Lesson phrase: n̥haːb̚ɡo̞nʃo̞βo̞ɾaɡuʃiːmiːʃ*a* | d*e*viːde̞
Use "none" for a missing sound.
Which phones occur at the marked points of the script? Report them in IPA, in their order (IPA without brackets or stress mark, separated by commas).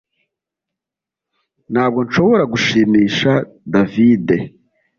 a, a